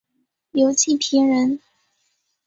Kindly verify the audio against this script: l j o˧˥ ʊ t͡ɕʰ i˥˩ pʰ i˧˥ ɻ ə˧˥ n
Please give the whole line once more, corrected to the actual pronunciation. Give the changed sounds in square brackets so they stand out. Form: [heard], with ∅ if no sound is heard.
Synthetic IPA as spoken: l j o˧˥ ʊ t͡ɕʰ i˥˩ pʰ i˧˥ ɻ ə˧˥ n